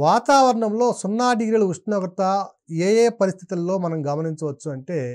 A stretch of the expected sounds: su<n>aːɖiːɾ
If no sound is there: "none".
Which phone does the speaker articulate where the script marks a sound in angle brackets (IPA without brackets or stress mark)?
nː